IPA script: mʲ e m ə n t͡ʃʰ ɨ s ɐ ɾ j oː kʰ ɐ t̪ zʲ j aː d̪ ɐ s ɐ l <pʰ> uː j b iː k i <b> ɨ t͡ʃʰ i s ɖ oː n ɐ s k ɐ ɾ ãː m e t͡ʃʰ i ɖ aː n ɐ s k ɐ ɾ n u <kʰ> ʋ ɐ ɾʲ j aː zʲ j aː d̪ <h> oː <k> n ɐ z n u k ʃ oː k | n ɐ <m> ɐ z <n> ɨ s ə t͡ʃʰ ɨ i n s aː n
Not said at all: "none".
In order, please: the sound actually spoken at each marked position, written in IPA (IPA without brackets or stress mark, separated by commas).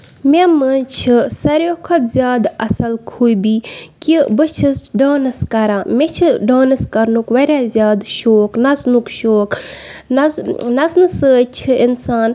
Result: kʰ, b, k, ʃ, k, n, n